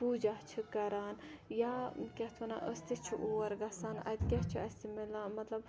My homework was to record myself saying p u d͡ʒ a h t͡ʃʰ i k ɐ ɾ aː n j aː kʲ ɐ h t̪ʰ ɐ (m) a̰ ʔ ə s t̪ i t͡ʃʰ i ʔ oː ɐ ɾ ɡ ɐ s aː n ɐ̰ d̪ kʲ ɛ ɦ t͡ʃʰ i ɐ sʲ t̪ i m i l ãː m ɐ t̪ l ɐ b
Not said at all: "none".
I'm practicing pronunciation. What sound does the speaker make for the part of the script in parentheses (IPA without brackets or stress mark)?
n